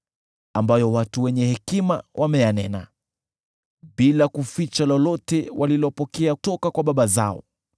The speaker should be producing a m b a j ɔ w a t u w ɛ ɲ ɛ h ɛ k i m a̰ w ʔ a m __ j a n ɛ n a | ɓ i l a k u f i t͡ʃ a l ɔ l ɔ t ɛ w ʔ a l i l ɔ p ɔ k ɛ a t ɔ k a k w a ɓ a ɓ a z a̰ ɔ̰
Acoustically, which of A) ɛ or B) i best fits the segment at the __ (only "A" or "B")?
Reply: A